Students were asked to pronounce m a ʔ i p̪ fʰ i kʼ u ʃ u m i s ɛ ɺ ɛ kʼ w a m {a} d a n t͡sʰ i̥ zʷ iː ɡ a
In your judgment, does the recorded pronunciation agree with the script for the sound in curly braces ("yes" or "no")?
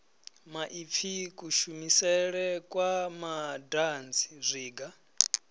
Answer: yes